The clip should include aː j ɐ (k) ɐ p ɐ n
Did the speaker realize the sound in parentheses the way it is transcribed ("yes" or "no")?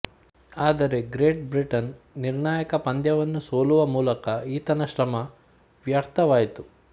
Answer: yes